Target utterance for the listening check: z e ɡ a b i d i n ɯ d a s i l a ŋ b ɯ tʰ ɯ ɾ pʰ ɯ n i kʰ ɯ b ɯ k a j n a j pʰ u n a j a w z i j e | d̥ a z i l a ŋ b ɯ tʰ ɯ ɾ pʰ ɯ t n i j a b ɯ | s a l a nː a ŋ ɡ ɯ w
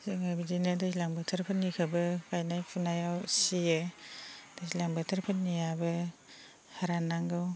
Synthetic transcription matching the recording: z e ŋ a b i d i n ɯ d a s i l a ŋ b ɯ tʰ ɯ ɾ pʰ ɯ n i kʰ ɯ b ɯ k a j n a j pʰ u n a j a w s i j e | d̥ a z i l a ŋ b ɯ tʰ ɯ ɾ pʰ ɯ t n i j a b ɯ | h a ɾ a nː a ŋ ɡ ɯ w